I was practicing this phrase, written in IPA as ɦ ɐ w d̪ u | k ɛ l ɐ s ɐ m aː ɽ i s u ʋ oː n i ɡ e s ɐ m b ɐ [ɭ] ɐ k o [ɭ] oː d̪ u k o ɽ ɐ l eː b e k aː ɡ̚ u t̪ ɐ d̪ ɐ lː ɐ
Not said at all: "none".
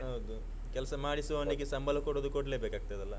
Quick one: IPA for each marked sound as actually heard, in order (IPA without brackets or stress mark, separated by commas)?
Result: l, ɽ